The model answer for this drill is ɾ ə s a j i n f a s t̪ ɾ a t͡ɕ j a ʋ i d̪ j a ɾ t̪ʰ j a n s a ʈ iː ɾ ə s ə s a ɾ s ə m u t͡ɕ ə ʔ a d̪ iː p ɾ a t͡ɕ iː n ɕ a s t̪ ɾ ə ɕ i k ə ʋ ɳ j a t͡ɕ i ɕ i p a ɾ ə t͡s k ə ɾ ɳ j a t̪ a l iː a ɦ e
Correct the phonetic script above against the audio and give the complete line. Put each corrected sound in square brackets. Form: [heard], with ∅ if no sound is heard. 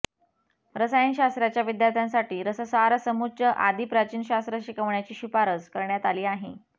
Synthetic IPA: ɾ ə s a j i n [ɕ] a s t̪ ɾ a t͡ɕ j a ʋ i d̪ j a ɾ t̪ʰ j a n s a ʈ iː ɾ ə s ə s a ɾ s ə m u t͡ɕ ə ʔ a d̪ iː p ɾ a t͡ɕ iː n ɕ a s t̪ ɾ ə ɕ i k ə ʋ ɳ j a t͡ɕ [iː] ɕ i p a ɾ ə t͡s k ə ɾ ɳ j a t̪ a l iː a ɦ e

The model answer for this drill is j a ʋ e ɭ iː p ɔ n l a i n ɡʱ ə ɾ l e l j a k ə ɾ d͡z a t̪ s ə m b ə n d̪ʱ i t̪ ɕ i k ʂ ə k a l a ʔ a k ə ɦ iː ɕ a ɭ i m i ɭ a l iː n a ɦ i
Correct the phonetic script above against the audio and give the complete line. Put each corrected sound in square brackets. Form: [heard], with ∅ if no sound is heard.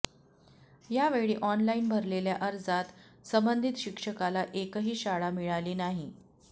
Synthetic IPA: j a ʋ e ɭ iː [ʔ] ɔ n l a i n [bʱ] ə ɾ l e l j a [ʔ] ə ɾ d͡z a t̪ s ə m b ə n d̪ʱ i t̪ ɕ i k ʂ ə k a l a ʔ [e] k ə ɦ iː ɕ a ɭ [a] m i ɭ a l iː n a ɦ i

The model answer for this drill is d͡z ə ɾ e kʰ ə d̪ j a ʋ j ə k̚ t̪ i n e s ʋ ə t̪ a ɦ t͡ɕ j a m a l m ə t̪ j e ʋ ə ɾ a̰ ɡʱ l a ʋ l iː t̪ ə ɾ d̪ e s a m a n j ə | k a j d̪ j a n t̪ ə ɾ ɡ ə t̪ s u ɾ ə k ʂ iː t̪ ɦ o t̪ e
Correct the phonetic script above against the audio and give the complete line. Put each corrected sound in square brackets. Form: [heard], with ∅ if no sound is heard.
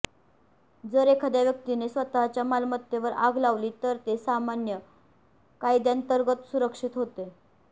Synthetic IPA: d͡z ə ɾ e kʰ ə d̪ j a ʋ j ə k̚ t̪ i n e s ʋ ə t̪ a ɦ t͡ɕ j a m a l m ə t̪ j e ʋ ə ɾ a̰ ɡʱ l a ʋ l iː t̪ ə ɾ [t̪] e s a m a n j ə | k a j d̪ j a n t̪ ə ɾ ɡ ə t̪ s u ɾ ə k ʂ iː t̪ ɦ o t̪ e

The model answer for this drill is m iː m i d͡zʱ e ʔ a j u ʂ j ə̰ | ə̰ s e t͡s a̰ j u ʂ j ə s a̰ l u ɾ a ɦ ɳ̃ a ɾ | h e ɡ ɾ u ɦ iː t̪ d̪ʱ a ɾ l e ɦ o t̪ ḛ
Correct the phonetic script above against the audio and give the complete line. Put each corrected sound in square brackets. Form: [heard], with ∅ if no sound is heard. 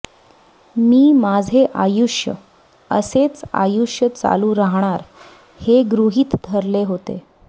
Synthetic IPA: m iː m [a] d͡zʱ e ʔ a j u ʂ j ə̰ | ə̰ s e t͡s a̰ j u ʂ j ə [t͡s] a̰ l u ɾ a ɦ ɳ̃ a ɾ | h e ɡ ɾ u ɦ iː t̪ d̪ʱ [ə] ɾ l e ɦ o t̪ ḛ

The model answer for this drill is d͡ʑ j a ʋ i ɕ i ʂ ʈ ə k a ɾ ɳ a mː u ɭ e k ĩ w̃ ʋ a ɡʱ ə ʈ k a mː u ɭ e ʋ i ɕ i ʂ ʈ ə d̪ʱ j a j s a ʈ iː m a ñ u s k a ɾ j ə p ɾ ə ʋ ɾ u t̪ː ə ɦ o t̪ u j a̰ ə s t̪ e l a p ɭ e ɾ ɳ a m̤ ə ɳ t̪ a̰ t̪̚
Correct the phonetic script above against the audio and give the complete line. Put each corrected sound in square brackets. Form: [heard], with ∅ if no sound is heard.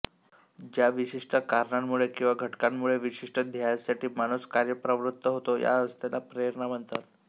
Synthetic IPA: d͡ʑ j a ʋ i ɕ i ʂ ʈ ə k a ɾ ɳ a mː u ɭ e k ĩ w̃ ʋ a ɡʱ ə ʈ k a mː u ɭ e ʋ i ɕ i ʂ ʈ ə d̪ʱ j a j s a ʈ iː m a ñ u s k a ɾ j ə p ɾ ə ʋ ɾ u t̪ː ə ɦ o t̪ [o] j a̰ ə s t̪ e l a p [ɾ] e ɾ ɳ a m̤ ə ɳ t̪ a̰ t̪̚

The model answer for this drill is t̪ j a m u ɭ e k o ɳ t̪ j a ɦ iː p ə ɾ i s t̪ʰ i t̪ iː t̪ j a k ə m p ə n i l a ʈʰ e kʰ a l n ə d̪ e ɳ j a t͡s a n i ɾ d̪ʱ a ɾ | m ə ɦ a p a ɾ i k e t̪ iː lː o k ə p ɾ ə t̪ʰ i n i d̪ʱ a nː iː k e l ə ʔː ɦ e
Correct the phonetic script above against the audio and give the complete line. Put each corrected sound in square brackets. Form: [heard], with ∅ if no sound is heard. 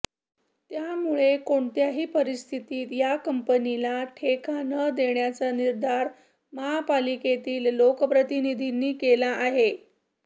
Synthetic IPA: t̪ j a m u ɭ e k o ɳ t̪ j a ɦ iː p ə ɾ i s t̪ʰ i t̪ iː t̪ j a k ə m p ə n i l a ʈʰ e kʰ a [∅] n ə d̪ e ɳ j a t͡s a n i ɾ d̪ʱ a ɾ | m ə ɦ a p a [l] i k e t̪ iː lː o k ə p ɾ ə [t̪] i n i d̪ʱ [i] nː iː k e l [a] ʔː ɦ e

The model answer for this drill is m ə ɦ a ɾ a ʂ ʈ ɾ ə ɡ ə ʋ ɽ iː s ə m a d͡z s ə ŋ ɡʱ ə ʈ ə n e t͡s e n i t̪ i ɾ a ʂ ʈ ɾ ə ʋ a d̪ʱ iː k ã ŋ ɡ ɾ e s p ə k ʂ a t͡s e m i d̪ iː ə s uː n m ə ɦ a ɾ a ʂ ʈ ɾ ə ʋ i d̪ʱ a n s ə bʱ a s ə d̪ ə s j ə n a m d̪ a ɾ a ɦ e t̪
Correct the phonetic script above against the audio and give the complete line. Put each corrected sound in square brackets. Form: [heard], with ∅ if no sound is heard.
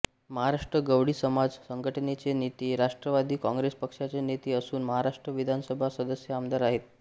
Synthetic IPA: m ə ɦ a ɾ a ʂ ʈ ɾ ə ɡ ə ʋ ɽ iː s ə m a d͡z s ə ŋ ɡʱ ə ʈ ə n e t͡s e n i t̪ i ɾ a ʂ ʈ ɾ ə ʋ a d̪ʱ iː k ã ŋ ɡ ɾ e s p ə k ʂ a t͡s e [n] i [t̪] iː ə s uː n m ə ɦ a ɾ a ʂ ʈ ɾ ə ʋ i d̪ʱ a n s ə bʱ a s ə d̪ ə s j ə [∅] a m d̪ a ɾ a ɦ e t̪

